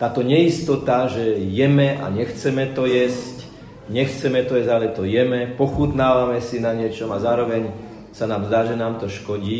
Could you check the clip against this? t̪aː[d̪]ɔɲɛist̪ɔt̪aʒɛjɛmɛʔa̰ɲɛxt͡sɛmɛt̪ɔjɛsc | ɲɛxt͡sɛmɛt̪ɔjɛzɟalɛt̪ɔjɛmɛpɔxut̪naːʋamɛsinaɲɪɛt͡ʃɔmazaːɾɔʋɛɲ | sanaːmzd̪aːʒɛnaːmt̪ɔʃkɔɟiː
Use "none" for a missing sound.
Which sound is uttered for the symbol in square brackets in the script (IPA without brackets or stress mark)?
t̪